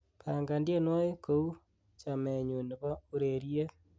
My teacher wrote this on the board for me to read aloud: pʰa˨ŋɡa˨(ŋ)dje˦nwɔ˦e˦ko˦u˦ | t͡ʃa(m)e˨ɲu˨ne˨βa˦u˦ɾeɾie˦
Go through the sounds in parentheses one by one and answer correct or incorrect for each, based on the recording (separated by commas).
incorrect, correct